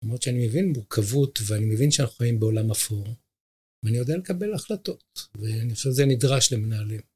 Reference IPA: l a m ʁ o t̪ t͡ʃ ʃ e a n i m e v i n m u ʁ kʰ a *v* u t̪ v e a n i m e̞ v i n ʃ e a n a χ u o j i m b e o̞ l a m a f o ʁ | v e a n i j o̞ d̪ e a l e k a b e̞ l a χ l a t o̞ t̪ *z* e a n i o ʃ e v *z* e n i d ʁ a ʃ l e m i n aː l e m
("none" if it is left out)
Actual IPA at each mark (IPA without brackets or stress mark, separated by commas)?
v, v, z